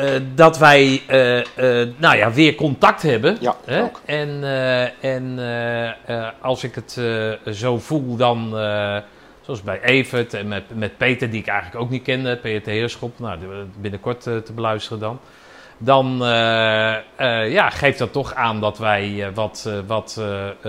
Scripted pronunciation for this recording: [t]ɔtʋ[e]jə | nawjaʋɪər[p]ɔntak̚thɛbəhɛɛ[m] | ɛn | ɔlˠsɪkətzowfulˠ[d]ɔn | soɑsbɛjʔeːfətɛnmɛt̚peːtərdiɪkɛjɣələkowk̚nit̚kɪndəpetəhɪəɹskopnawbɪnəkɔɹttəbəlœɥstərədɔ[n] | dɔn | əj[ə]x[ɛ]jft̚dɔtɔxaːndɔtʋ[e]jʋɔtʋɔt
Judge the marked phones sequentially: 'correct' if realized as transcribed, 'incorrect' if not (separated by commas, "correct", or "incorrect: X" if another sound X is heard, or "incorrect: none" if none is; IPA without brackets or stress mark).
incorrect: d, incorrect: ɛ, incorrect: k, incorrect: n, correct, correct, incorrect: a, incorrect: e, incorrect: ɛ